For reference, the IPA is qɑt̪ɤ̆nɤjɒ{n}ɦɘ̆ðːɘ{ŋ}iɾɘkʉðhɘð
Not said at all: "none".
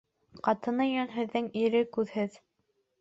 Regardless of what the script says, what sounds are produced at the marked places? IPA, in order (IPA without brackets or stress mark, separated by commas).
n, ŋ